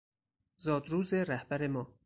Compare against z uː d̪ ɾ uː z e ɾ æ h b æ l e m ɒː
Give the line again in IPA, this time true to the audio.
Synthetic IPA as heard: z ɒː d̪ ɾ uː z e ɾ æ h b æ ɾ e m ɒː